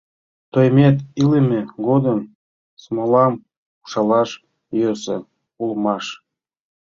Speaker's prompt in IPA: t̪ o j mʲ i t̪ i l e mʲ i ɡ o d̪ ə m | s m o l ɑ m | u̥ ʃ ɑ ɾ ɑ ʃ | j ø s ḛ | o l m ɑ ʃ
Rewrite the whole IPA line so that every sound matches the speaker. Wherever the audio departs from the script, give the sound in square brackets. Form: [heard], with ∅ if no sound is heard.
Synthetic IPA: t̪ o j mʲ [e] t̪ i l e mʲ [e] ɡ o d̪ ə m | s m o l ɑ m | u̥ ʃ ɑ [l] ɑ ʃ | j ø s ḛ | [u] l m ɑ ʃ